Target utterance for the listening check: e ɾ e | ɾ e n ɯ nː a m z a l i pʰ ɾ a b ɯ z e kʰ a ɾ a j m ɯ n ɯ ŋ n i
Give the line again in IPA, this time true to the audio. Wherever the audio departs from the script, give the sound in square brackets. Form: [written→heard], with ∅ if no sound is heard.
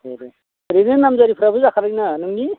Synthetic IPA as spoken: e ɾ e | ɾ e n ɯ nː a m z a [l→ɾ] i pʰ ɾ a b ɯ z [e→a] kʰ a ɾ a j [m→n] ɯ n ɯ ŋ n i